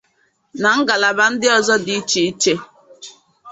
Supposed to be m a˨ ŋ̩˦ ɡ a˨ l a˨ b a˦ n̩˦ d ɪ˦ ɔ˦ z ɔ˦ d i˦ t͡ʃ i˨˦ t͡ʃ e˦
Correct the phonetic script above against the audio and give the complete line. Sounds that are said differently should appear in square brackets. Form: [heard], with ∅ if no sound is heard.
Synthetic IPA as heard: [n] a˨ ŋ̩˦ ɡ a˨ l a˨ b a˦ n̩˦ d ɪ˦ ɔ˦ z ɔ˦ d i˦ t͡ʃ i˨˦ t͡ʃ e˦